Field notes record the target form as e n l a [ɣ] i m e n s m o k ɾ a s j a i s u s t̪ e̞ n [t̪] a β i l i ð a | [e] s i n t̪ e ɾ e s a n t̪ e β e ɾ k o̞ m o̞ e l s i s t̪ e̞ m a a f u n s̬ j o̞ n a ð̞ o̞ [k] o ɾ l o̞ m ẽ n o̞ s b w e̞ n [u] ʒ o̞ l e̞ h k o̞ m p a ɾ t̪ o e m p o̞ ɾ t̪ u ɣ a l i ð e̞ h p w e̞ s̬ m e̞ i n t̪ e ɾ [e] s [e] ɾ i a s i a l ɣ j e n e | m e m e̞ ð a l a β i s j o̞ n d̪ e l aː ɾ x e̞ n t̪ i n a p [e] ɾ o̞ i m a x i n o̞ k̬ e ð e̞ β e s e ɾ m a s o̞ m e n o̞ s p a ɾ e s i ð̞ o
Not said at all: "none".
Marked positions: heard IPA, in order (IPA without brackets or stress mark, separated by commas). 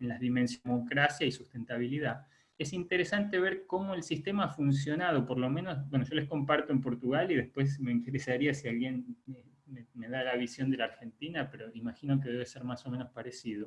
ð, t̪, e, p, o, e, a, e